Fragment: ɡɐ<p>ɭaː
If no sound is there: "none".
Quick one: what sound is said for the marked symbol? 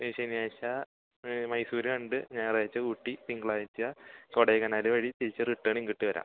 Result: none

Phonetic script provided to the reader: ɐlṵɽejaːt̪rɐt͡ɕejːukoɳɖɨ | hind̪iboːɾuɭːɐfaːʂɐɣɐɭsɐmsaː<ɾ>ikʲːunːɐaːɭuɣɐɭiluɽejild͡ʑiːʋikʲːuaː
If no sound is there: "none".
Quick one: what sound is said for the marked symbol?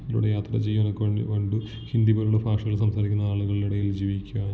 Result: ɾ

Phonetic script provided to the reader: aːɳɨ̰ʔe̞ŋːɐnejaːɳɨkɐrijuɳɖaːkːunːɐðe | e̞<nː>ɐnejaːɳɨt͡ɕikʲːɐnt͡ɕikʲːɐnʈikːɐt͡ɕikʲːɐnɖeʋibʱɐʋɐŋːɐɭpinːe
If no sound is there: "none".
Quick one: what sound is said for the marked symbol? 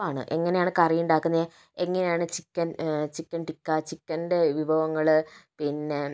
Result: ŋː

